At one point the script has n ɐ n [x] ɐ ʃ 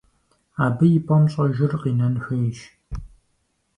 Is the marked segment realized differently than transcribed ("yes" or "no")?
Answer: no